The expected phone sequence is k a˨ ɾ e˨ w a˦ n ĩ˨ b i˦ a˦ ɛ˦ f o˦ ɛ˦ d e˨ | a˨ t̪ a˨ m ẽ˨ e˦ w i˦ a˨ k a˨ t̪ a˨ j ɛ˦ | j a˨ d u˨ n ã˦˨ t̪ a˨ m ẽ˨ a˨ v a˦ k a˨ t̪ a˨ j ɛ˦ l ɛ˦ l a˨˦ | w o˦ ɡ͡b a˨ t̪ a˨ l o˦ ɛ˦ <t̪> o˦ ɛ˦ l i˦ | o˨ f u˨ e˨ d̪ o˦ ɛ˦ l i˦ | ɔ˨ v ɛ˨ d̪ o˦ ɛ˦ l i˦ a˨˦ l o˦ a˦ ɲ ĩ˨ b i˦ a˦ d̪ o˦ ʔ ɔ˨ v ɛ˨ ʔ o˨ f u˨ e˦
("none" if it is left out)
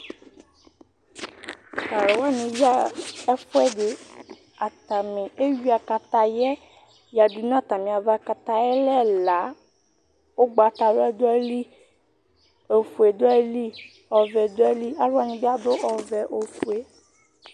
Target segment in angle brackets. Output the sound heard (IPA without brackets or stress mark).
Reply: d̪